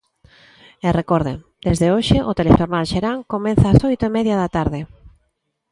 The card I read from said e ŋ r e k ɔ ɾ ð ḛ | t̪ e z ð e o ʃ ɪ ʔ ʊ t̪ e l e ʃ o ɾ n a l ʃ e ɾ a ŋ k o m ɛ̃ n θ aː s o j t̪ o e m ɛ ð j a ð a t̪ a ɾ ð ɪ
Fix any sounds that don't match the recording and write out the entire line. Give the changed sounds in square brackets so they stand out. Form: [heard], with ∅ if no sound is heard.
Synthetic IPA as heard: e [∅] r e k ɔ ɾ ð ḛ | [d̪] e z ð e o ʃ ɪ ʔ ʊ t̪ e l e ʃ o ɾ n a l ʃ e ɾ a ŋ k o m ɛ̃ n θ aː s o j t̪ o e m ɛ ð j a ð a t̪ a ɾ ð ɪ